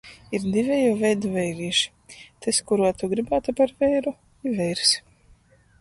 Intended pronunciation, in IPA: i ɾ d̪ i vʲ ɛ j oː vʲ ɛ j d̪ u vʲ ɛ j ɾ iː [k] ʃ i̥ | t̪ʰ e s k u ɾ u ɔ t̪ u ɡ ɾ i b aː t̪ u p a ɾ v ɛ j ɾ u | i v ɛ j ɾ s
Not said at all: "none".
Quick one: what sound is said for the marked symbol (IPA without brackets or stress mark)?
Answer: none